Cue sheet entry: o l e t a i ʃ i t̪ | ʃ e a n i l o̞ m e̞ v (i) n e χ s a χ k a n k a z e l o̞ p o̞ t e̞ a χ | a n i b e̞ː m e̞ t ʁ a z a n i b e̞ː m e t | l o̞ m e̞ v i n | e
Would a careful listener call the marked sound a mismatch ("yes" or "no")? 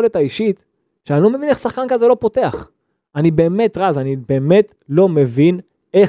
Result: no